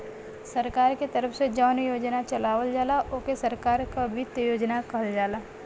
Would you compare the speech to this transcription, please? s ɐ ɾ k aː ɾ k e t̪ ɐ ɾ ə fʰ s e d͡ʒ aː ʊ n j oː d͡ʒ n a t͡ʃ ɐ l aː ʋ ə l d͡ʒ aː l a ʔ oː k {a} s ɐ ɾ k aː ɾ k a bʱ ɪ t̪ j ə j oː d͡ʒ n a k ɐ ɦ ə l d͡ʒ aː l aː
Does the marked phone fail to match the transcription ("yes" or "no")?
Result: yes